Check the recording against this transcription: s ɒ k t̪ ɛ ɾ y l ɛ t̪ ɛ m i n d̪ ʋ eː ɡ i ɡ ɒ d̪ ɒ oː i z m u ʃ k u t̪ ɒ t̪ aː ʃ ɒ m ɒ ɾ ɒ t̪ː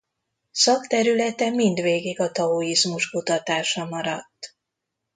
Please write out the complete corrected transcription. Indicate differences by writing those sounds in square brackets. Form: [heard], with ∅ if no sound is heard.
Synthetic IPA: s ɒ k t̪ ɛ ɾ y l ɛ t̪ ɛ m i n d̪ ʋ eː ɡ i ɡ ɒ [t̪] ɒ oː i z m u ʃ k u t̪ ɒ t̪ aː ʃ ɒ m ɒ ɾ ɒ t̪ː

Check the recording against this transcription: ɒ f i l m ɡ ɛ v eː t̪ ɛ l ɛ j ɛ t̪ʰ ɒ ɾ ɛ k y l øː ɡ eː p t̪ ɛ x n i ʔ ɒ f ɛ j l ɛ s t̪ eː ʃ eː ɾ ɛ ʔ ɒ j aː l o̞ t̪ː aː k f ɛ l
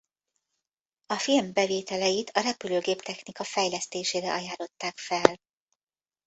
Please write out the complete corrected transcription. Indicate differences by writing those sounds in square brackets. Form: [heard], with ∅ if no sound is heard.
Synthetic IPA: ɒ f i l m [b] ɛ v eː t̪ ɛ l ɛ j [i] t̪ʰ ɒ ɾ ɛ [p] y l øː ɡ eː p t̪ ɛ x n i [k] ɒ f ɛ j l ɛ s t̪ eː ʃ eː ɾ ɛ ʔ ɒ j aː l o̞ t̪ː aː k f ɛ l

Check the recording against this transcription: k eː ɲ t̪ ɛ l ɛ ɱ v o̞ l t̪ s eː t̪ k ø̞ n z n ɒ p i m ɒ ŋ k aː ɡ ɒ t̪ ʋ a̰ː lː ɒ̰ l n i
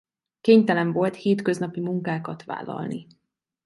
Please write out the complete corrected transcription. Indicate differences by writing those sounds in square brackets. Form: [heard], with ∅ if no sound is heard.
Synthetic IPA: k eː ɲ t̪ ɛ l ɛ ɱ v o̞ l t̪ [h] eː t̪ k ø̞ [∅] z n ɒ p i m [u] ŋ k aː [k] ɒ t̪ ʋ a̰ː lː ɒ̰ l n i

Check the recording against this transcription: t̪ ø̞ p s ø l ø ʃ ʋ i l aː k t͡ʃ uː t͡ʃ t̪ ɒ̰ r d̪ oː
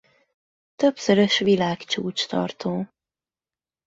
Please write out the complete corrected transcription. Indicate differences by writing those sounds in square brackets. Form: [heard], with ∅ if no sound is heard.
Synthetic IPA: t̪ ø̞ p s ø [ɾ] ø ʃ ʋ i l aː k t͡ʃ uː t͡ʃ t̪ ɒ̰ r [t̪] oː

